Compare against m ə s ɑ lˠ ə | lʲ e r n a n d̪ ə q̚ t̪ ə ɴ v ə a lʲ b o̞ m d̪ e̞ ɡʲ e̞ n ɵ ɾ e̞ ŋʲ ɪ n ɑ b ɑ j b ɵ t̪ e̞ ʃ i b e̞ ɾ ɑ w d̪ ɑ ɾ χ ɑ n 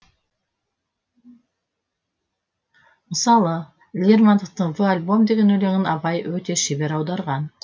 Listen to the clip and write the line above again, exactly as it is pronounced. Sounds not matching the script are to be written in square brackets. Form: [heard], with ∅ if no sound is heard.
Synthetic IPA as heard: m ə s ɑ lˠ ə | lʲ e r [m] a n d̪ ə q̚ t̪ ə ɴ v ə a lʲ b o̞ m d̪ e̞ ɡʲ e̞ n ɵ [l] e̞ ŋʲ ɪ n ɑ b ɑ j [w] ɵ t̪ e̞ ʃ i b e̞ ɾ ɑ w d̪ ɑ ɾ [ʁ] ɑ n